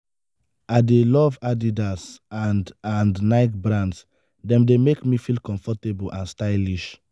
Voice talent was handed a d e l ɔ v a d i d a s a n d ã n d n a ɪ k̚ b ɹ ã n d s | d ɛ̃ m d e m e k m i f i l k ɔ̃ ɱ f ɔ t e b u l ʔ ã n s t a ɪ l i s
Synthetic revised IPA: a d e l ɔ v a d i d a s a n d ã n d n a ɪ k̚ b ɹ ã n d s | d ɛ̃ m d e m e k m i f i l k ɔ̃ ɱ f ɔ t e b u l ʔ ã n s t a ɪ l i ʃ